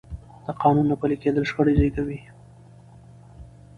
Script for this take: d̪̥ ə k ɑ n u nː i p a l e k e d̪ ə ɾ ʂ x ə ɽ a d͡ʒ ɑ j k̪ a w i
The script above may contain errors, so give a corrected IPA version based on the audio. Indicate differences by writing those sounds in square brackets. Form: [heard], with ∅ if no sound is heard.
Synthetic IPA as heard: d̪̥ ə [q] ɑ n u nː [a] p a l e k e d̪ ə [l] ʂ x ə ɽ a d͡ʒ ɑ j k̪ a w i